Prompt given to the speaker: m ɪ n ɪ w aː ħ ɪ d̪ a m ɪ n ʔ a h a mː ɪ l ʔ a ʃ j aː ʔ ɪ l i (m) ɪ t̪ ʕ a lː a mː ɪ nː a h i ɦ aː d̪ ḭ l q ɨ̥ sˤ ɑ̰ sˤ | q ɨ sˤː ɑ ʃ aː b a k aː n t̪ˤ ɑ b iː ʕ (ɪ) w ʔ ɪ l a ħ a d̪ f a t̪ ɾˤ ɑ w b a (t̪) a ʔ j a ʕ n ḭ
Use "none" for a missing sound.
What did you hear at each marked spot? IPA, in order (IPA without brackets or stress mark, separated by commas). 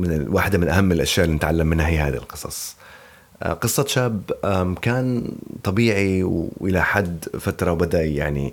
n, i, d̪